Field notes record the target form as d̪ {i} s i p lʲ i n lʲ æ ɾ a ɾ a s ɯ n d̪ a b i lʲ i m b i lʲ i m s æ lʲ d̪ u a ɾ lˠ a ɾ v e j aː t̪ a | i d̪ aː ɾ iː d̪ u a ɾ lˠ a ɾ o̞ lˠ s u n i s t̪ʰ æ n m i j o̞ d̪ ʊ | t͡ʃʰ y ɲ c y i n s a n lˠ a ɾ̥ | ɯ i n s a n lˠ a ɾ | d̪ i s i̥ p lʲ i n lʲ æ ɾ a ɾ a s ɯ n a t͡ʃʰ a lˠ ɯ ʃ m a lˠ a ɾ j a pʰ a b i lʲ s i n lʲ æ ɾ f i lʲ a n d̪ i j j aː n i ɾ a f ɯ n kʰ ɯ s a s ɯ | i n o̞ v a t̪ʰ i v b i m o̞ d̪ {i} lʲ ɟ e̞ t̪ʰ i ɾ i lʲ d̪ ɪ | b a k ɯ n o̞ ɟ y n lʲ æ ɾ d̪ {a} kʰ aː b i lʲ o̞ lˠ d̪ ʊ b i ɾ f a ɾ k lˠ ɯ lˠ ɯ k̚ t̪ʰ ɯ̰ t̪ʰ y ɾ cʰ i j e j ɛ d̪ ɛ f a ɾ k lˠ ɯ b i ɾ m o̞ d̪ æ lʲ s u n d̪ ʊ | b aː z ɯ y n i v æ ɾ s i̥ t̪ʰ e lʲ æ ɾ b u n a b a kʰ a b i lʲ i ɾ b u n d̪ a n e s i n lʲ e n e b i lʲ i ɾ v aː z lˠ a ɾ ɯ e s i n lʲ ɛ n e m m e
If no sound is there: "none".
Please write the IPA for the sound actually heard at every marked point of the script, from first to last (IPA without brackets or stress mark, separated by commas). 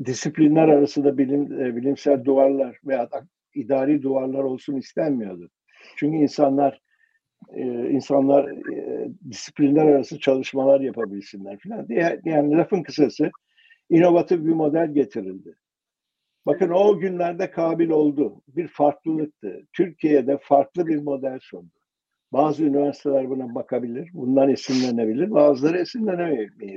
i, æ, ɛ